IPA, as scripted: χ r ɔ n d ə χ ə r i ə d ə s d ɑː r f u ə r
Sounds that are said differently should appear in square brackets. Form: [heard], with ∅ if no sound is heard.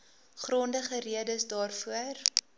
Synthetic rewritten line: χ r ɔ n d ə χ ə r i ə d ə s d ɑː r f u ə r